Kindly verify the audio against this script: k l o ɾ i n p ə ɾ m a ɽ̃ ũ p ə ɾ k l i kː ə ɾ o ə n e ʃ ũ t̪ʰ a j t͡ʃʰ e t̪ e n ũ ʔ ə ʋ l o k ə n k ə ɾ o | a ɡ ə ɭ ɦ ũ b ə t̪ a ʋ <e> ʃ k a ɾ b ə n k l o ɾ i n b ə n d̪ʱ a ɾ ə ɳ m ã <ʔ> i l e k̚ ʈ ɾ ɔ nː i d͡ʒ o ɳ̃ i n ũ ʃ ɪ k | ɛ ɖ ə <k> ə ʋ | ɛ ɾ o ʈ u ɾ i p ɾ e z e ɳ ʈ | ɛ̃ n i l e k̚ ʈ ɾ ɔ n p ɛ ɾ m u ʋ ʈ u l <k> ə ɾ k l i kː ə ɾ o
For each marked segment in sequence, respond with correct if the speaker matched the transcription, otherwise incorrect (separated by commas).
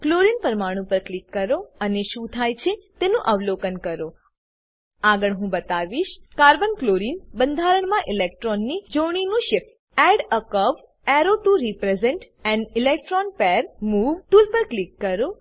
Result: incorrect, correct, correct, incorrect